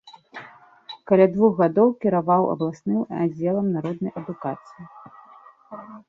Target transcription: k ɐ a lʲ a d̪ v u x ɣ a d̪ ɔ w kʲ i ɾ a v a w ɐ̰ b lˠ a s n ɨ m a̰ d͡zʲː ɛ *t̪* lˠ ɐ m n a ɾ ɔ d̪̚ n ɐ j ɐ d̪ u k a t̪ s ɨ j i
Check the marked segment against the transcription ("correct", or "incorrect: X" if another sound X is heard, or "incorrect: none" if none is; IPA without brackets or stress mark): incorrect: none